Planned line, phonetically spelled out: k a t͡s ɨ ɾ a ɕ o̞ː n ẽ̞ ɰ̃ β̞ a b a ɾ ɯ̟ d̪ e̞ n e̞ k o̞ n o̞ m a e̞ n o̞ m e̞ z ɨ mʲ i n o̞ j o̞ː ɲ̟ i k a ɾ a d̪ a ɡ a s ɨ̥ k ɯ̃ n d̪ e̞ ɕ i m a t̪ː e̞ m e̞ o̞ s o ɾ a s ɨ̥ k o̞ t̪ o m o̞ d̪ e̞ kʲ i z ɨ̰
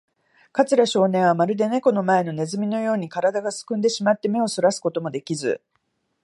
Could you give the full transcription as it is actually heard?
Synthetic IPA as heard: k a t͡s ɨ ɾ a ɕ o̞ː n ẽ̞ ɰ̃ β̞ a m a ɾ ɯ̟ d̪ e̞ n e̞ k o̞ n o̞ m a e̞ n o̞ n e̞ z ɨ mʲ i n o̞ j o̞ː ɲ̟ i k a ɾ a d̪ a ɡ a s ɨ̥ k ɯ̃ n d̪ e̞ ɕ i m a t̪ː e̞ m e̞ o̞ s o ɾ a s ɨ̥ k o̞ t̪ o m o̞ d̪ e̞ kʲ i z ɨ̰